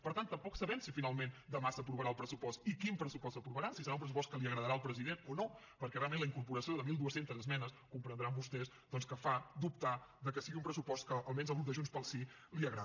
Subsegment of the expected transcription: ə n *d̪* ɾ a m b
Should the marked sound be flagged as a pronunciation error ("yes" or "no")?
no